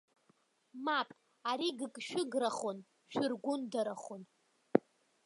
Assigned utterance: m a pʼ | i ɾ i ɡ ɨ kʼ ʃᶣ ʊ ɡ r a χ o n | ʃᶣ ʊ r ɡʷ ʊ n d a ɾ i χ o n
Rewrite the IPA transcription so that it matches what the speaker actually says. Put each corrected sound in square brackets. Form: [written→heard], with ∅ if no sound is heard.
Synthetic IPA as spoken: m a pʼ | [i→a] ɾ i ɡ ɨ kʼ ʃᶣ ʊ ɡ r a χ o n | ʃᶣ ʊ r ɡʷ ʊ n d a ɾ [i→a] χ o n

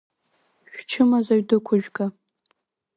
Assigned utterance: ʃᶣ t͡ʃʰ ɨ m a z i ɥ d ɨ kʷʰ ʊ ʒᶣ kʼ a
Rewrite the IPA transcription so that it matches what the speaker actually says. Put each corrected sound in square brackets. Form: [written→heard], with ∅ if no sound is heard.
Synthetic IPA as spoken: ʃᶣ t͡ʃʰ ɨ m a z [i→a] ɥ d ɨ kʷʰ ʊ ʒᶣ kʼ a

